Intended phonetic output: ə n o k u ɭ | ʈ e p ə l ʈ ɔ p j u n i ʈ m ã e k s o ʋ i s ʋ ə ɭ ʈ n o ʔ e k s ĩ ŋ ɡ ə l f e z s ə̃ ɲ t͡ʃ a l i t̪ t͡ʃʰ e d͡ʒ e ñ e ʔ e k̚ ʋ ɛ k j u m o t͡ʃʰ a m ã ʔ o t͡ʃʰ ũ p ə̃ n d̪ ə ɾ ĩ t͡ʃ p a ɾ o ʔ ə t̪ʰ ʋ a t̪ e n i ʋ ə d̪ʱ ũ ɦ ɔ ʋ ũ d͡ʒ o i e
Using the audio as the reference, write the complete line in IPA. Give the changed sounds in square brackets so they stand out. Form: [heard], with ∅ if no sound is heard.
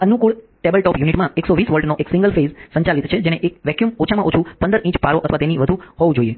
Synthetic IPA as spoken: ə n [u] k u ɭ | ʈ e [b] ə l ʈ ɔ p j u n i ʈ m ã e k s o ʋ i s ʋ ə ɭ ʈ n o ʔ e k s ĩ ŋ ɡ ə l f e z s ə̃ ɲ t͡ʃ a l i t̪ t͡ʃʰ e d͡ʒ e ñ e ʔ e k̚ ʋ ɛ k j u m o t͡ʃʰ a m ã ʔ o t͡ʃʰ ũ p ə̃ n d̪ ə ɾ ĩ t͡ʃ p a ɾ o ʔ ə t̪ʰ ʋ a t̪ e n i ʋ ə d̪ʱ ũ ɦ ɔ ʋ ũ d͡ʒ o i e